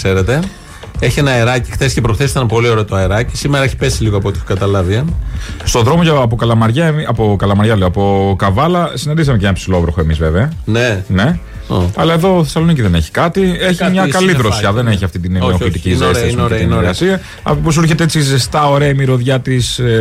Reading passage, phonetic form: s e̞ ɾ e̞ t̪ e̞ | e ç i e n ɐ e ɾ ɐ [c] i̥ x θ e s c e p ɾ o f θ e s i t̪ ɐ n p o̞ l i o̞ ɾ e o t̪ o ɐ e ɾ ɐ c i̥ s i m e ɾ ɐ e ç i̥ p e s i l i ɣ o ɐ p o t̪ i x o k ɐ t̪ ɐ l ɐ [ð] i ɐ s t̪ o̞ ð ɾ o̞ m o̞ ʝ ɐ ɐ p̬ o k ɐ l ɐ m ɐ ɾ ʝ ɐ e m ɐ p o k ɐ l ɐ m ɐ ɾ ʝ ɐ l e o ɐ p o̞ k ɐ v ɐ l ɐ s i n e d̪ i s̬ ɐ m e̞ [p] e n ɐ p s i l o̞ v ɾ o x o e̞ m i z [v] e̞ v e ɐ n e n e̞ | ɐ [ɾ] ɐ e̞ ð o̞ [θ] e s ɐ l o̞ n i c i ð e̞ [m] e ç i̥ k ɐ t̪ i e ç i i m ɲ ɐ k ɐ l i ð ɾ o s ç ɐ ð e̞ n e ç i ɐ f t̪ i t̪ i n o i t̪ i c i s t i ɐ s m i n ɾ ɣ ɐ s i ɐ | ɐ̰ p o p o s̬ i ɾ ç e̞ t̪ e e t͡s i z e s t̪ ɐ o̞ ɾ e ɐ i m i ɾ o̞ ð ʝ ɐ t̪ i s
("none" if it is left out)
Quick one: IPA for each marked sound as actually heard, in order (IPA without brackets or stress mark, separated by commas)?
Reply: c, v, c, v, l, θ, n